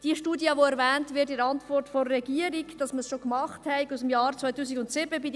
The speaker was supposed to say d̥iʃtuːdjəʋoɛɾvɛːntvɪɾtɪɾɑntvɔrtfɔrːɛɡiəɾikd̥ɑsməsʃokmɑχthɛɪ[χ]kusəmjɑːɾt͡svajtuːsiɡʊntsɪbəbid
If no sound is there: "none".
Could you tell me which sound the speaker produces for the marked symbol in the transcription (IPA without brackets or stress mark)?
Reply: none